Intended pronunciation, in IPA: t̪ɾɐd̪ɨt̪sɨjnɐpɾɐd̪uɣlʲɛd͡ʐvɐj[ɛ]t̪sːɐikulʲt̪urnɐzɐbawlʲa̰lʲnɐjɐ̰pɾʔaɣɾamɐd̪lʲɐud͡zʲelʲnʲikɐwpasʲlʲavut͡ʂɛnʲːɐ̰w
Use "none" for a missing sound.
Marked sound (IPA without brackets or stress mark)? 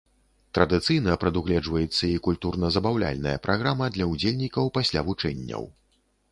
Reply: ɛ